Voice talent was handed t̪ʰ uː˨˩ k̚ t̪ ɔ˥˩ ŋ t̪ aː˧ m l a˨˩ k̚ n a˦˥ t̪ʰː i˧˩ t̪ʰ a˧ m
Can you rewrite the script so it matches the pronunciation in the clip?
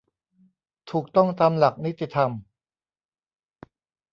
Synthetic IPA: t̪ʰ uː˨˩ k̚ t̪ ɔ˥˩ ŋ t̪ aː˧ m l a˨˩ k̚ n i˦˥ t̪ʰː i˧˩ t̪ʰ a˧ m

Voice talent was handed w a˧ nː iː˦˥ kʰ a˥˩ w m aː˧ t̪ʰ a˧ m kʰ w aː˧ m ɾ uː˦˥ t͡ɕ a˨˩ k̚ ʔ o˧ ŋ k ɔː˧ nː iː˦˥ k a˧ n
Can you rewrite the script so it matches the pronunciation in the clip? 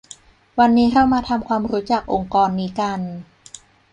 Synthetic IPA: w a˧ nː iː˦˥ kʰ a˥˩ w m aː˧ t̪ʰ a˧ m kʰ w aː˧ m ɾ uː˦˥ t͡ɕ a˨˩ k̚ ʔ o˧ ŋ k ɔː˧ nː iː˦˥ k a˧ n

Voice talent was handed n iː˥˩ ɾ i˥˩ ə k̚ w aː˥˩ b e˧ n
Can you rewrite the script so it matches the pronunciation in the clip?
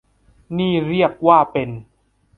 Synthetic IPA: n iː˥˩ ɾ i˥˩ ə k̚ w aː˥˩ p e˧ n

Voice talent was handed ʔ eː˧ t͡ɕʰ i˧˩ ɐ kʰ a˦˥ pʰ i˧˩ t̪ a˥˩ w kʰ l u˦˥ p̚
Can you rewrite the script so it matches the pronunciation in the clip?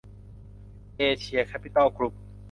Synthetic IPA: ʔ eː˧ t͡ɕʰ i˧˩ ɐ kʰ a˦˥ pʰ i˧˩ t̪ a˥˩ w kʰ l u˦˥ p̚

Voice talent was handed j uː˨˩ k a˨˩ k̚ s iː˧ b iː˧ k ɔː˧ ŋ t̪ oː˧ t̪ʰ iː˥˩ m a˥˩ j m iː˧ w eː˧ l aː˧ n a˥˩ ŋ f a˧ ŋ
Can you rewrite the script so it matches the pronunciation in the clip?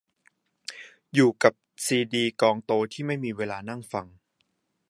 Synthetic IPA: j uː˨˩ k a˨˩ p̚ s iː˧ d iː˧ k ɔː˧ ŋ t̪ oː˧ t̪ʰ iː˥˩ m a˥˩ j m iː˧ w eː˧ l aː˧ n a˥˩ ŋ f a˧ ŋ

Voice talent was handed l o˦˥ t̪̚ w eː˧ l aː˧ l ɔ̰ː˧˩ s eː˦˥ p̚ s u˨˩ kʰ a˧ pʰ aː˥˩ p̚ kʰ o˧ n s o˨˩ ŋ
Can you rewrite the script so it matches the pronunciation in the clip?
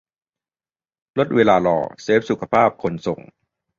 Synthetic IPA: l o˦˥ t̪̚ w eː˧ l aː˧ l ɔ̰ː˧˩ s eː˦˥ p̚ s u˨˩ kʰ a˧ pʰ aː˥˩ p̚ kʰ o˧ n s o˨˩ ŋ

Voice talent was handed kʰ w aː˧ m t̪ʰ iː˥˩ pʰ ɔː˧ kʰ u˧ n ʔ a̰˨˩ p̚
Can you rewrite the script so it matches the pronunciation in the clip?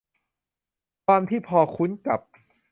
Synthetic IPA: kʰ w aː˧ m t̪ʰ iː˥˩ pʰ ɔː˧ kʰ u˦˥ n k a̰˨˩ p̚

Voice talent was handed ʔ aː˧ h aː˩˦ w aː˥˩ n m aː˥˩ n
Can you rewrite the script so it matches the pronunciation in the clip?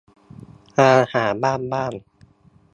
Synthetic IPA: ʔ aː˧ h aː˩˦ b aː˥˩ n b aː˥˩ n

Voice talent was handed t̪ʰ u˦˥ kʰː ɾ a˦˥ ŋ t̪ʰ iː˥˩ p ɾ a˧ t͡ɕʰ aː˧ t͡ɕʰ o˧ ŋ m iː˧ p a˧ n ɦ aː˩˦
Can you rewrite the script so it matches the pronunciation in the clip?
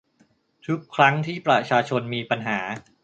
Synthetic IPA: t̪ʰ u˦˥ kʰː ɾ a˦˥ ŋ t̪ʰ iː˥˩ p ɾ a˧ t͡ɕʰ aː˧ t͡ɕʰ o˧ n m iː˧ p a˧ n ɦ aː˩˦

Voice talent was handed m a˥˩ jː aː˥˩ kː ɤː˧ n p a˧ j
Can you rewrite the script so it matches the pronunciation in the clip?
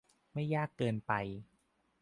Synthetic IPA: m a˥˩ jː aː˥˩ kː ɤː˧ n p a˧ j

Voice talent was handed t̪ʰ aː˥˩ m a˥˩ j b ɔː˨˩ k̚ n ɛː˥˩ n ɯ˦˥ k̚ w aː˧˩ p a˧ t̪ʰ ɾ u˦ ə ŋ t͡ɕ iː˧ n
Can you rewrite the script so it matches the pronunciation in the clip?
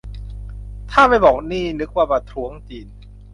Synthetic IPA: t̪ʰ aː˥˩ m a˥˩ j b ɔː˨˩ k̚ n iː˥˩ n ɯ˦˥ k̚ w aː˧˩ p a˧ t̪ʰ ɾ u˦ ə ŋ t͡ɕ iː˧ n

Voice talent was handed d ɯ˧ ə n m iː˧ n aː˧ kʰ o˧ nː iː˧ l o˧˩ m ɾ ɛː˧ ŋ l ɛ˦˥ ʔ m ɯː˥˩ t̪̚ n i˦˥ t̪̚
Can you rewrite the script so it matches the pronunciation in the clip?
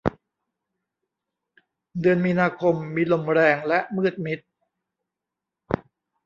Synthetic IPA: d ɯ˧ ə n m iː˧ n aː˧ kʰ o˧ mː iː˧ l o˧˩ m ɾ ɛː˧ ŋ l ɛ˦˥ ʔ m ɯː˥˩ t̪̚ m i˦˥ t̪̚

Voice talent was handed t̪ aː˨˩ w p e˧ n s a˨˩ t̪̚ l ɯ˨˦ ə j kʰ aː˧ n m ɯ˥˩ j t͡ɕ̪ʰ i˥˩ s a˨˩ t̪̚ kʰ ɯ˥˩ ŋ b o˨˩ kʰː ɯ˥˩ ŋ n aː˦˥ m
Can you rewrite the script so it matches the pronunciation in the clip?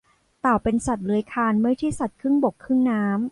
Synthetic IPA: t̪ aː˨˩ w p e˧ n s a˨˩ t̪̚ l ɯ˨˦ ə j kʰ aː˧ n m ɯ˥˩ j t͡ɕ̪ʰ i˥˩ s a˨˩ t̪̚ kʰ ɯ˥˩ ŋ b o˨˩ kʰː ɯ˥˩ ŋ n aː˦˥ m

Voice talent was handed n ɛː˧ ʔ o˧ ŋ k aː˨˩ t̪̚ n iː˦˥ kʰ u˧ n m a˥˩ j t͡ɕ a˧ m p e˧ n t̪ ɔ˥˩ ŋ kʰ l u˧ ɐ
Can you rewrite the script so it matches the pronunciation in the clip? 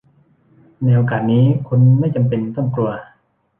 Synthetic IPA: n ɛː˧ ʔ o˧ k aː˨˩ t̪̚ n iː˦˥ kʰ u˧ n m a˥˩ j t͡ɕ a˧ m p e˧ n t̪ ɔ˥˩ ŋ k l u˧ ɐ

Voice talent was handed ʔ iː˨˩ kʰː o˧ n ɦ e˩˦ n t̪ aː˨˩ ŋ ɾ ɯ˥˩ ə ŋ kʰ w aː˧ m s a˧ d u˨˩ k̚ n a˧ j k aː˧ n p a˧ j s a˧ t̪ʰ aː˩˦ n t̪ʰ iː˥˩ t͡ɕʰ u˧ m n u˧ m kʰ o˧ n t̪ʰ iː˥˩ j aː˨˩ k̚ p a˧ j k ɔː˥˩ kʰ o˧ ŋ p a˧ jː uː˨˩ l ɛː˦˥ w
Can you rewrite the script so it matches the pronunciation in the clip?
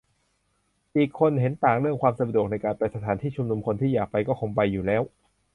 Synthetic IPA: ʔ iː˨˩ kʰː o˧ n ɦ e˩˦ n t̪ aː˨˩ ŋ ɾ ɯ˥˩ ə ŋ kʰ w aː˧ m s a˧ d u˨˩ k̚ n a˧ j k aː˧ n p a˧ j s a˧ t̪ʰ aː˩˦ n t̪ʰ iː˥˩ t͡ɕʰ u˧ m n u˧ m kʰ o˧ n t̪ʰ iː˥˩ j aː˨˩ k̚ p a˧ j k ɔː˥˩ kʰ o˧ ŋ p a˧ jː uː˨˩ l ɛː˦˥ w

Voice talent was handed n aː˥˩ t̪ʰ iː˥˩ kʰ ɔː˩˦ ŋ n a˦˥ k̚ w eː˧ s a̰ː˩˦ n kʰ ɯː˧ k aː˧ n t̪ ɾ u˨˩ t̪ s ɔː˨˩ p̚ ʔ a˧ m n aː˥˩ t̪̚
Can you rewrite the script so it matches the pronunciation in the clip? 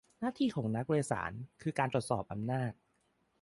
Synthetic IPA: n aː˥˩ t̪ʰ iː˧ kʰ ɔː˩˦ ŋ n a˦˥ k̚ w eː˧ s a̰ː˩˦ n kʰ ɯː˧ k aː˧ n t̪ ɾ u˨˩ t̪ s ɔː˨˩ p̚ ʔ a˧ m n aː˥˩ t̪̚

